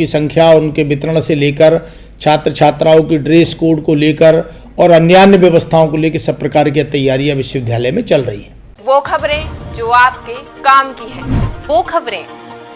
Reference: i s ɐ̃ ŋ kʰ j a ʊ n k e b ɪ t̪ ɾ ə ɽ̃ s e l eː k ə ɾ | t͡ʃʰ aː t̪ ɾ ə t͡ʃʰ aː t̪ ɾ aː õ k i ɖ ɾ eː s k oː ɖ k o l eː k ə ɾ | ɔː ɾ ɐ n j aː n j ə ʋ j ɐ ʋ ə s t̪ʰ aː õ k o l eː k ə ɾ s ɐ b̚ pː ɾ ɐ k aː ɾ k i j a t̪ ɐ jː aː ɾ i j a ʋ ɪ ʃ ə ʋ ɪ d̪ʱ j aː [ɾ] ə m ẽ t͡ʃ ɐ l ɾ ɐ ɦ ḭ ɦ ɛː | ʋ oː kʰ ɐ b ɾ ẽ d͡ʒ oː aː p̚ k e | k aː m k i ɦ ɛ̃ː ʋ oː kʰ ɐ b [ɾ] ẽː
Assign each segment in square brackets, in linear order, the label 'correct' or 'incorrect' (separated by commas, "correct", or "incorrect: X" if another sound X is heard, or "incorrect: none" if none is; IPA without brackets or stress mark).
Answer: incorrect: l, correct